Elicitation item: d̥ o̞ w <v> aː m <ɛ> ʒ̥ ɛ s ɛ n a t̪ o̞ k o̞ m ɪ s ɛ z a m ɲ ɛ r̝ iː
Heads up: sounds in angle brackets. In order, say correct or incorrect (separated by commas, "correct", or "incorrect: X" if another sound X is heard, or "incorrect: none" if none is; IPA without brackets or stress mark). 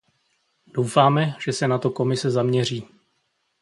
incorrect: f, correct